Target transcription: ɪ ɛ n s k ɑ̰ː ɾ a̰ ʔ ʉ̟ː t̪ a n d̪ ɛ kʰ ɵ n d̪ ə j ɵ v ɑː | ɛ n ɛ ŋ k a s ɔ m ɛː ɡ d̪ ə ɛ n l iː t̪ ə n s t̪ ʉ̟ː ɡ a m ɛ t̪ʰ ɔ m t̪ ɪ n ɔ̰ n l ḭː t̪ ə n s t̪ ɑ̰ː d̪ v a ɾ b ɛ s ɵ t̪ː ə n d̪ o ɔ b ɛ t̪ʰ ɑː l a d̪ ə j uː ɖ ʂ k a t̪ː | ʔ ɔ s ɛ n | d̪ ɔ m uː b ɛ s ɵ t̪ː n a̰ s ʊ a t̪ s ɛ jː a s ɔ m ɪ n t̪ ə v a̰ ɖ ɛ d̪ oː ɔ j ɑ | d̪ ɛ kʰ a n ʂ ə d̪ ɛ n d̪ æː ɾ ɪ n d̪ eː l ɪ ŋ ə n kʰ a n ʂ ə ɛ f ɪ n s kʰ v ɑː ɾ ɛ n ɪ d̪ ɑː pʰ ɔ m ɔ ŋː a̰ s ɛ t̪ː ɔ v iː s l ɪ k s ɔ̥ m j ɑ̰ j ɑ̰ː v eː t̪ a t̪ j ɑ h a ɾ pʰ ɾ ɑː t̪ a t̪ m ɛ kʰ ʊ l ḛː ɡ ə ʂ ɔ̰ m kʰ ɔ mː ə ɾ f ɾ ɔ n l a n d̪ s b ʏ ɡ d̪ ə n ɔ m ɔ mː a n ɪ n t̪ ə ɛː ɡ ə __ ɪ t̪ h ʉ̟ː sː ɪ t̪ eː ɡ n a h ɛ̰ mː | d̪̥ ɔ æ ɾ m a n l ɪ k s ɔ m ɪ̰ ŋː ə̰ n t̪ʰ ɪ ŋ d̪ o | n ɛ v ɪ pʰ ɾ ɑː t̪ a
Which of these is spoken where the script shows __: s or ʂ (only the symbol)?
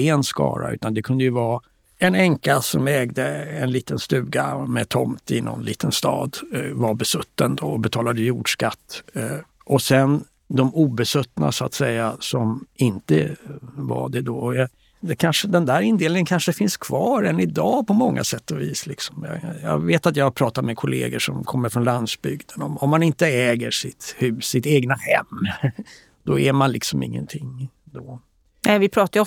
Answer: ʂ